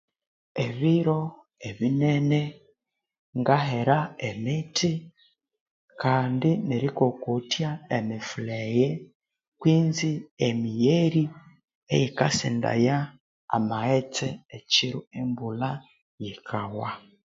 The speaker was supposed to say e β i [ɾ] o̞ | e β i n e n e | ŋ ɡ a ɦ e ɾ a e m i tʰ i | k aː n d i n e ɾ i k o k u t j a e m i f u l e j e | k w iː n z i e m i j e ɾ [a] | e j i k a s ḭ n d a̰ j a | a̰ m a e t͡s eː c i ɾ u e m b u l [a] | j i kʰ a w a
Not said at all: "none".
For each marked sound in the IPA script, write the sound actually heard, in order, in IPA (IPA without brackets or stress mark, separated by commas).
ɾ, i, a